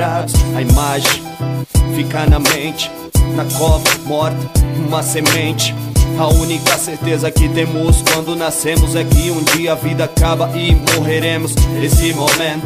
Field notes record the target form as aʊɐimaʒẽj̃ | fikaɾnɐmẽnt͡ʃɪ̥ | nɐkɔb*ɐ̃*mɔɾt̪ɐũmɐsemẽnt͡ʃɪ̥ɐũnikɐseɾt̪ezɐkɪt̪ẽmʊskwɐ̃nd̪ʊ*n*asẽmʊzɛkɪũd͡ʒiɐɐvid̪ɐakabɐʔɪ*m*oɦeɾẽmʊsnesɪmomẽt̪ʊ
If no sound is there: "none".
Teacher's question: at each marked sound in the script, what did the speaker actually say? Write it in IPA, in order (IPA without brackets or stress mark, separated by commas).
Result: ɐ, n, m